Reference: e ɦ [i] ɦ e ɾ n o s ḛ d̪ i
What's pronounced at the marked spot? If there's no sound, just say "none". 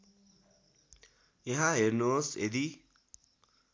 a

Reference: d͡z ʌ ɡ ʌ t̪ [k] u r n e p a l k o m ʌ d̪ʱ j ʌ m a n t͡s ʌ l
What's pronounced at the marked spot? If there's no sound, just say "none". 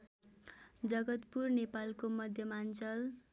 p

